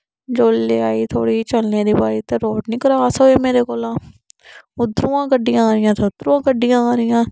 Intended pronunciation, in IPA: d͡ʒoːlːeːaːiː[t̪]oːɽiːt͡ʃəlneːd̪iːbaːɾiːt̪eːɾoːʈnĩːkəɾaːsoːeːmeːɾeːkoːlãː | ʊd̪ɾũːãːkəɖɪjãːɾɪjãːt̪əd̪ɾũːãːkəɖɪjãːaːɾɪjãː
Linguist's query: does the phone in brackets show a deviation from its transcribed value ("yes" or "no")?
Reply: yes